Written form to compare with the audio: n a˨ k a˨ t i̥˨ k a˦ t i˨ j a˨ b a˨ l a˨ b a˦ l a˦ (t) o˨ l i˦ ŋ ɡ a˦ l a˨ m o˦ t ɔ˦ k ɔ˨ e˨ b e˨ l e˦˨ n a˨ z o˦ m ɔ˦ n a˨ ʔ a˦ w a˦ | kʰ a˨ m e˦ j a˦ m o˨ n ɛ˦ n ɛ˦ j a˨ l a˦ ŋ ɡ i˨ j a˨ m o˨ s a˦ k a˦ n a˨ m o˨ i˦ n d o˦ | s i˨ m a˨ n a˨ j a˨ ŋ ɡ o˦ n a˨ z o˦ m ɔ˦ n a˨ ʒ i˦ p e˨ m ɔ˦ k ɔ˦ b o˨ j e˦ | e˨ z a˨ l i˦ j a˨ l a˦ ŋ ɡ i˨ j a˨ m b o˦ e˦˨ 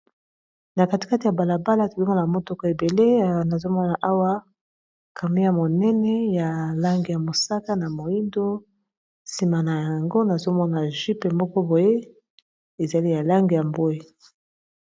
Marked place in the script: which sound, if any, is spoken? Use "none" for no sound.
t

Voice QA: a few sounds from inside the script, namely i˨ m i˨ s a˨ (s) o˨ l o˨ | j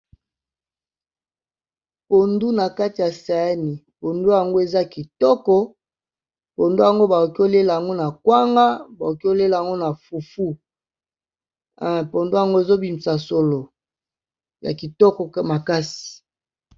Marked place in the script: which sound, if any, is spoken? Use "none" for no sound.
s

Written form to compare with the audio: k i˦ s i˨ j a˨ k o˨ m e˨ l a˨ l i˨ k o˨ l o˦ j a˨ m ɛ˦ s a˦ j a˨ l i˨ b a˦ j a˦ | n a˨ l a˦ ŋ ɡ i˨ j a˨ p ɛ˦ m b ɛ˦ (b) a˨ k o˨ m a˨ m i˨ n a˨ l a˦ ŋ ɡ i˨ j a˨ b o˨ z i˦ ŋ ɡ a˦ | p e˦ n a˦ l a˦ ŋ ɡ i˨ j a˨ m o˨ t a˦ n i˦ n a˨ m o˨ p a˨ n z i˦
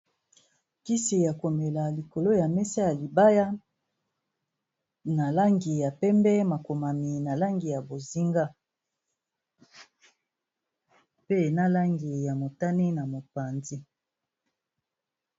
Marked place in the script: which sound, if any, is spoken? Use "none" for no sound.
m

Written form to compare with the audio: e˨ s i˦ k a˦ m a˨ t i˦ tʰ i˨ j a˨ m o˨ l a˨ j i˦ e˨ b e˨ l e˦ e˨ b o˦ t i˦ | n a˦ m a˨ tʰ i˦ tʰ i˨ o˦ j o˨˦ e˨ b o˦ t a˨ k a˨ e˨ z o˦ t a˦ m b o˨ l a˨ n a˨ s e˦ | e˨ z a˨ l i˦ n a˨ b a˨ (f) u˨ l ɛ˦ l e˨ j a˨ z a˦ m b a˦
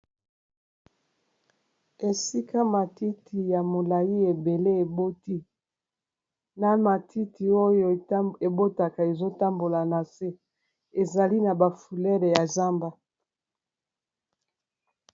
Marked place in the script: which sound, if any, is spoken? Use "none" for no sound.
f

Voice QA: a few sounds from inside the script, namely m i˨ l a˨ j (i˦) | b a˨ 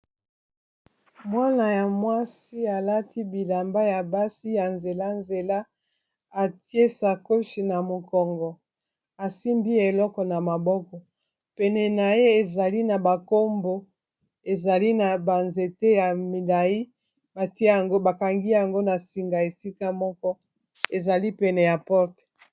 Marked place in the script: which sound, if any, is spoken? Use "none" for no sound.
i˦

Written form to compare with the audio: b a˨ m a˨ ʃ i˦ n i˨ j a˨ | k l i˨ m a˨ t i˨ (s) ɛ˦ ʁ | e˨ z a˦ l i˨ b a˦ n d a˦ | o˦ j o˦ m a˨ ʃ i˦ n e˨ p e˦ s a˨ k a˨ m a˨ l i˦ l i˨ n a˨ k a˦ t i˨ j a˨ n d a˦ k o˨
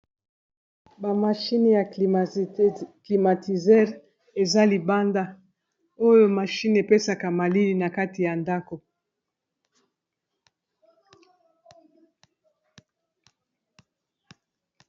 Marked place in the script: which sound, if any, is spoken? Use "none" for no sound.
z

